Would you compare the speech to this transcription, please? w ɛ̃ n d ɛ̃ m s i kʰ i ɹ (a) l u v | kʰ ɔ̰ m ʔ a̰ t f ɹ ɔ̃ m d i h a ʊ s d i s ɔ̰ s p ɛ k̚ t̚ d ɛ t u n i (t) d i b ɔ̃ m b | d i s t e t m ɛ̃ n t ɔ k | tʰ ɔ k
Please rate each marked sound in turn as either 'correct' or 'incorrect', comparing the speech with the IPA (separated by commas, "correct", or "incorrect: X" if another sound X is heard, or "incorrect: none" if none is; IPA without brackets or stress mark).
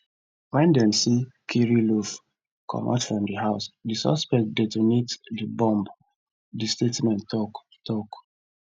incorrect: i, correct